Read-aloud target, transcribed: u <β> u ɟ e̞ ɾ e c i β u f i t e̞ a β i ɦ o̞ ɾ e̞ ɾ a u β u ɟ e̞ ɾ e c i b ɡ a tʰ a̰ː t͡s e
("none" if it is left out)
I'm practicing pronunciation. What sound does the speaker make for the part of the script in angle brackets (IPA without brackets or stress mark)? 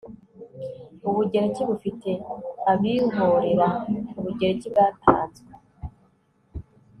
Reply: β